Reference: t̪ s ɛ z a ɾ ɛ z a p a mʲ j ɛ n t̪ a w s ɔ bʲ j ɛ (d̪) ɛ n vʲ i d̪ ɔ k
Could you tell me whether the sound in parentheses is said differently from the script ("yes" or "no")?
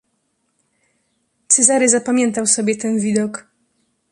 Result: yes